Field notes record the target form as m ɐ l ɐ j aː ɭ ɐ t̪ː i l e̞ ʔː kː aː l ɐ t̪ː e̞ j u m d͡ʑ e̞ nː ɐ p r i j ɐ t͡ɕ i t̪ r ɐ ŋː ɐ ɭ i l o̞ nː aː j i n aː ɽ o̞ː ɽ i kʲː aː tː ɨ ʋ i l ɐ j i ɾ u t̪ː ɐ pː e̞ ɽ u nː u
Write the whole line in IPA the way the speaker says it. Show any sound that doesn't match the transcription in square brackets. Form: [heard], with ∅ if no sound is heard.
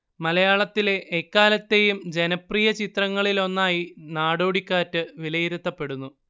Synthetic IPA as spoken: m ɐ l ɐ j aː ɭ ɐ t̪ː i l e̞ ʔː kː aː l ɐ t̪ː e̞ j u m d͡ʑ e̞ [n] ɐ p r i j ɐ t͡ɕ i t̪ r ɐ ŋː ɐ ɭ i l o̞ nː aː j i n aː ɽ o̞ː ɽ i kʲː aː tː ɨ ʋ i l ɐ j i ɾ u t̪ː ɐ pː e̞ ɽ u nː u